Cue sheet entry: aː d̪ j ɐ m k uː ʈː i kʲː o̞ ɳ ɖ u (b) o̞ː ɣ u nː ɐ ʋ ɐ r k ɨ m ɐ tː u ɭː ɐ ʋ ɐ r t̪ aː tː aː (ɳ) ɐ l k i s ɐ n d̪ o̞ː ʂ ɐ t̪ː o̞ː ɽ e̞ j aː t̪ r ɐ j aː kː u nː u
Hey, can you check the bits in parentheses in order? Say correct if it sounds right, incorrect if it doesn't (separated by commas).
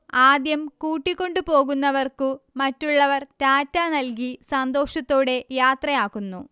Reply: incorrect, incorrect